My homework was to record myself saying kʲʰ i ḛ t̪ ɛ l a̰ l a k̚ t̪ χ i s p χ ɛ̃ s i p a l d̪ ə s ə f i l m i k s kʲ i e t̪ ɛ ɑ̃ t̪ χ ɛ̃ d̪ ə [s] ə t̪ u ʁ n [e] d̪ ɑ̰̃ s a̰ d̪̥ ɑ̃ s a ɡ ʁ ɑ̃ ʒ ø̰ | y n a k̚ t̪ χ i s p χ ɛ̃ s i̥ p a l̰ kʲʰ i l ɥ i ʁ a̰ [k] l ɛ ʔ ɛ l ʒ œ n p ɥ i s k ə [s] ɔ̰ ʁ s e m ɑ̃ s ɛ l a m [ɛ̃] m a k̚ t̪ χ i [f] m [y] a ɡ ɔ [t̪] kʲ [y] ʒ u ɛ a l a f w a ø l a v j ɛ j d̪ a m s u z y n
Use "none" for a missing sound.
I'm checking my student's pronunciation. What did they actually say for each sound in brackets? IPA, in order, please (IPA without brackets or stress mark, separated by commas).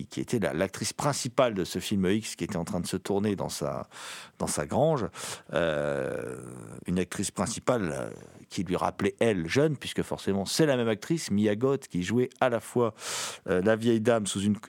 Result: s, e, p, f, ɛ, s, i, t̪, i